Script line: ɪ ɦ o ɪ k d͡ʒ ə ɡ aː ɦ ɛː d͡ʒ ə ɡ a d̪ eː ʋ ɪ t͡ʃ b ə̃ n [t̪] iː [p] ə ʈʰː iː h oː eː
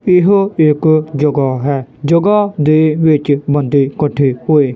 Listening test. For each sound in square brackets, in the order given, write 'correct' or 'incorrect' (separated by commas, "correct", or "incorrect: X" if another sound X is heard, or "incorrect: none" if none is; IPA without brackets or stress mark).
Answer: incorrect: d̪, incorrect: k